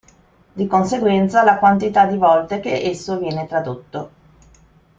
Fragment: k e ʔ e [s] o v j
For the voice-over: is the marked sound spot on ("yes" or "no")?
no